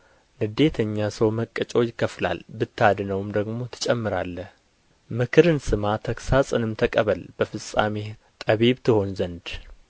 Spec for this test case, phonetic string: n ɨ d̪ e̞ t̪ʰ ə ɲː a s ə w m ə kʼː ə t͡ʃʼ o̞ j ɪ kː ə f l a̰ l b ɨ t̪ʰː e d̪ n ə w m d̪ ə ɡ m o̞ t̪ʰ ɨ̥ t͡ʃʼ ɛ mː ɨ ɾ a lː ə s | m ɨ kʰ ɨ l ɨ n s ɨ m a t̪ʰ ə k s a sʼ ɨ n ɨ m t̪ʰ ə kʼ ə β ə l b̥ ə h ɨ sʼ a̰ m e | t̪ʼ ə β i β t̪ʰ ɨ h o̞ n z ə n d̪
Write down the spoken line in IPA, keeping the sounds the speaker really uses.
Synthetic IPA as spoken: n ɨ d̪ e̞ t̪ʰ ə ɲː a s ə w m ə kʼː ə t͡ʃʼ o̞ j ɪ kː ə f l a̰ l b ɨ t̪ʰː a d̪ n ə w m d̪ ə ɡ m o̞ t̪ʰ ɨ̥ t͡ʃʼ ɛ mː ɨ ɾ a lː ə h | m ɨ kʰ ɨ ɾ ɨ n s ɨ m a t̪ʰ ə k s a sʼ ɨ n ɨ m t̪ʰ ə kʼ ə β ə l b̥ ə f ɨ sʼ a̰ m e | t̪ʼ ə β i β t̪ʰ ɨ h o̞ n z ə n d̪